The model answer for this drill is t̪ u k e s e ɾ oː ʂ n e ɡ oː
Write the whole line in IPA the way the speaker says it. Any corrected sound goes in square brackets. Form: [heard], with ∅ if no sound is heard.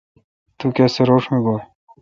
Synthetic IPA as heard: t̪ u k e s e ɾ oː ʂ [m] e ɡ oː